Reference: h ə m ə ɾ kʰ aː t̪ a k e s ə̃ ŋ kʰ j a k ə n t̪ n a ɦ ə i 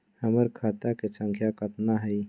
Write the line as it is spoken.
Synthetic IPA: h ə m ə ɾ kʰ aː t̪ a k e s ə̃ ŋ kʰ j a k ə t̪ n a ɦ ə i